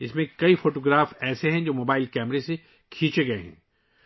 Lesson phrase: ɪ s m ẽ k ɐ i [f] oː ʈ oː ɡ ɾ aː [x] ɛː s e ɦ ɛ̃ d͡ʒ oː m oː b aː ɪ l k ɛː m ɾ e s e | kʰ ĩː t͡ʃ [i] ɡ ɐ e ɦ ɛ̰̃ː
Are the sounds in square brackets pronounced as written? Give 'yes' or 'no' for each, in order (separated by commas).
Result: yes, no, no